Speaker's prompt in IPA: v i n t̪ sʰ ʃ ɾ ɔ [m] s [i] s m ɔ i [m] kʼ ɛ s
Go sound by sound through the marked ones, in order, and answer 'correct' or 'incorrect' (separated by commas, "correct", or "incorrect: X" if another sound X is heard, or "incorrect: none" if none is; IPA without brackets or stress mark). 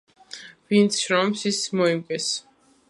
correct, correct, correct